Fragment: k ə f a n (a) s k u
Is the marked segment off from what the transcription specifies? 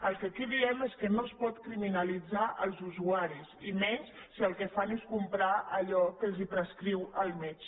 yes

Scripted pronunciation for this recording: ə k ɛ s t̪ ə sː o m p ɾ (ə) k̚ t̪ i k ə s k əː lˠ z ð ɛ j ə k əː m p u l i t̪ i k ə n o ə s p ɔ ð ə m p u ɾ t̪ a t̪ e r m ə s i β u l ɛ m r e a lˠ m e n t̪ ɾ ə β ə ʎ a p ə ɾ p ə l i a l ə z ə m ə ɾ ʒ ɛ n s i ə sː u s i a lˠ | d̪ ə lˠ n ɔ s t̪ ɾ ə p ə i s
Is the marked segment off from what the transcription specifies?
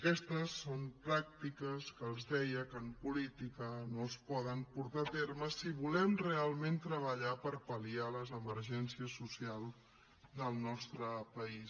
yes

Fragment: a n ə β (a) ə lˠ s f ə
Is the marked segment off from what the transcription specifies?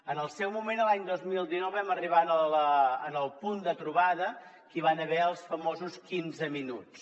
yes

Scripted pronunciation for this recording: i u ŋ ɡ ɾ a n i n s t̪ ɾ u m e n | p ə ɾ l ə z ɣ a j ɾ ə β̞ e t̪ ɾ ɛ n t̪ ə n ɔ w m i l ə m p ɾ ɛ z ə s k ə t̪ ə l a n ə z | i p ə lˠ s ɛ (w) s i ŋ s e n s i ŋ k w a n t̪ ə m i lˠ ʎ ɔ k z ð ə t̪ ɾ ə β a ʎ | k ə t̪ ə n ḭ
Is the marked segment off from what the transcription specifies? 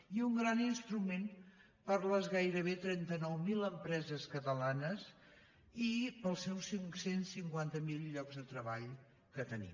no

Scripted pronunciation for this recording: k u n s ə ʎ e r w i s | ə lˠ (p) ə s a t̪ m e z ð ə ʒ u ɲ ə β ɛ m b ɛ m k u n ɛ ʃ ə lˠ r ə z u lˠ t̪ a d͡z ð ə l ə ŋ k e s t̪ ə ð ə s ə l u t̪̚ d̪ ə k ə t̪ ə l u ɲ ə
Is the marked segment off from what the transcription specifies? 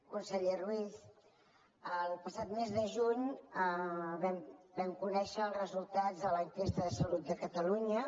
no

